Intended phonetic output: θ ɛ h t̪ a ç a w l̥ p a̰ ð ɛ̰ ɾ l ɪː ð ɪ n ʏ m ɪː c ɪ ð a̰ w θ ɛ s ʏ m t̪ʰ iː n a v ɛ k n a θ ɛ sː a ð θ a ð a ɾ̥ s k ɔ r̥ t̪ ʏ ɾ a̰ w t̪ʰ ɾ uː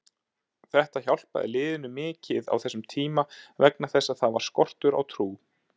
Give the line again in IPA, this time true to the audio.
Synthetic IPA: θ ɛ h t̪ a ç a w l̥ p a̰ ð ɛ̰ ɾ l ɪː ð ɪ n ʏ m ɪː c ɪ ð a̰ w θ ɛ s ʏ m t̪ʰ iː m a v ɛ k n a θ ɛ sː a ð θ a v a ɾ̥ s k ɔ r̥ t̪ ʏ ɾ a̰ w t̪ʰ ɾ uː